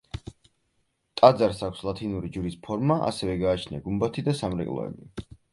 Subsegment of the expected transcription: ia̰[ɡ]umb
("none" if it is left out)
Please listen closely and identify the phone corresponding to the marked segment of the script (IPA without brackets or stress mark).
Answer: ɡ